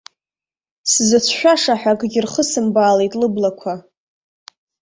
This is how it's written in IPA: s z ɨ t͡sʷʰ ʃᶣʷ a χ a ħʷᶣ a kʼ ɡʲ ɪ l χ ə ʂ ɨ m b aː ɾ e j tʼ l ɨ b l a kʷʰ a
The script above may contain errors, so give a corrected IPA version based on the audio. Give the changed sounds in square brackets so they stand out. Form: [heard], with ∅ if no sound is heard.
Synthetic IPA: s z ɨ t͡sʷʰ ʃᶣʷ a [ʂ] a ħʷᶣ a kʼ ɡʲ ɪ [r] χ ə [s] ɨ m b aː [l] e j tʼ l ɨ b l a kʷʰ a